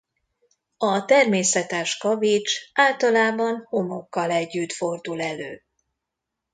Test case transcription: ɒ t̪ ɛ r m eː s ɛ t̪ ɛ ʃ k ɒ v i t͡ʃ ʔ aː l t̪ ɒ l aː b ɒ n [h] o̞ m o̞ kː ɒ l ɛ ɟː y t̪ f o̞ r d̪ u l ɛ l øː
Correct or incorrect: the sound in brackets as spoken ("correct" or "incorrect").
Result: correct